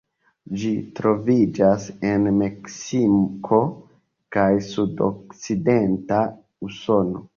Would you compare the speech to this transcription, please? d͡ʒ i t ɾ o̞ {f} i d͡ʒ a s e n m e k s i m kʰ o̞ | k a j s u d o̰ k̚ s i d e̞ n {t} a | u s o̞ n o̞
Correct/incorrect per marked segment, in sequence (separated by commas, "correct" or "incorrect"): incorrect, correct